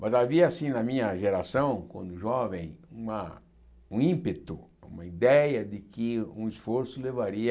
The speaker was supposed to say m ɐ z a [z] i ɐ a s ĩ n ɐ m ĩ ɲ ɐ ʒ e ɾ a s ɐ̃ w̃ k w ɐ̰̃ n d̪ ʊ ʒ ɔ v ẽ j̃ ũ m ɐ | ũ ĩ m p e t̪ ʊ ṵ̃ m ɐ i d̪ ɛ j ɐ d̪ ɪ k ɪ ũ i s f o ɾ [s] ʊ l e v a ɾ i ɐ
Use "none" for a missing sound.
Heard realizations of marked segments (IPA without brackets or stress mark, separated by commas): v, s